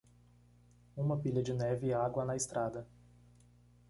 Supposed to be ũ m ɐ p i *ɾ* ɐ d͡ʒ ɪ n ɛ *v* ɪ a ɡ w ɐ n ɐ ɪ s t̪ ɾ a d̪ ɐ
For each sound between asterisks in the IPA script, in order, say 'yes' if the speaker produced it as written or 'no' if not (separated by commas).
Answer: no, yes